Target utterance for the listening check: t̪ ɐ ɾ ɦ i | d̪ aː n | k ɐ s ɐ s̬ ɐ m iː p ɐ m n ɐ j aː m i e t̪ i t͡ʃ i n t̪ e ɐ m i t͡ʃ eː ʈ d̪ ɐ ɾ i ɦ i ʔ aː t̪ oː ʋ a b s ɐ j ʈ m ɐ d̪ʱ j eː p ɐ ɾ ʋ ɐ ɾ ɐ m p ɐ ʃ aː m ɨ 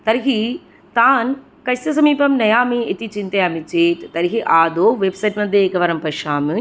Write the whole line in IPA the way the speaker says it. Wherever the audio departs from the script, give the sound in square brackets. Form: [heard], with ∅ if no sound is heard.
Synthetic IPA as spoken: t̪ ɐ ɾ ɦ i | [t̪] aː n | k ɐ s ɐ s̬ ɐ m iː p ɐ m n ɐ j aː m i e t̪ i t͡ʃ i n t̪ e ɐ m i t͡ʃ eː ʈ [t̪] ɐ ɾ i ɦ i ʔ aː [d̪] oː ʋ [e] b s ɐ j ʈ m ɐ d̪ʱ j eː [k] ɐ [∅] ʋ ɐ ɾ ɐ m p ɐ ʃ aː m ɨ